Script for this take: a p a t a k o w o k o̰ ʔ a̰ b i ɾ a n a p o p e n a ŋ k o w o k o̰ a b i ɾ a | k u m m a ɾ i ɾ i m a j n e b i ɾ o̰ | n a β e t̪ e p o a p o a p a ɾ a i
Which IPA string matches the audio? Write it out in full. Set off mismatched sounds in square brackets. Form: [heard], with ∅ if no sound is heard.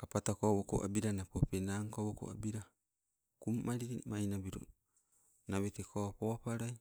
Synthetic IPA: a p a t a k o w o k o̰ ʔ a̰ b i ɾ a n a p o p e n a ŋ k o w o k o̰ a b i ɾ a | k u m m a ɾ i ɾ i m a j n [a] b i ɾ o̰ | n a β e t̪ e [k] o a p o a p a ɾ a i